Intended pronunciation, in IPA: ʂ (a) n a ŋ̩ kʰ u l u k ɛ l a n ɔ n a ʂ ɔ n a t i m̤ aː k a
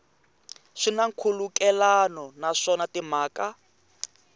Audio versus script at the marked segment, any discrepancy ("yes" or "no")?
yes